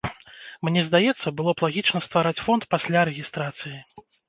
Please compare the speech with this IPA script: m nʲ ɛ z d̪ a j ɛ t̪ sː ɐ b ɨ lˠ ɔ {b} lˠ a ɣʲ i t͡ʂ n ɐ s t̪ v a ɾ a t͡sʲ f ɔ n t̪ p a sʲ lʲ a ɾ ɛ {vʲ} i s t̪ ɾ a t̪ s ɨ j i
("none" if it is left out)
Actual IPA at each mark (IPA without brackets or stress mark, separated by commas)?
p, ɣʲ